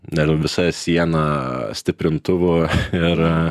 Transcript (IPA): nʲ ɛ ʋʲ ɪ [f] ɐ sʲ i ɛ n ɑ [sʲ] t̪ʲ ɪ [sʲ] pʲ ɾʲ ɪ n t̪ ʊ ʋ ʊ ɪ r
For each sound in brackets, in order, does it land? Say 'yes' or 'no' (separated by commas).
no, yes, no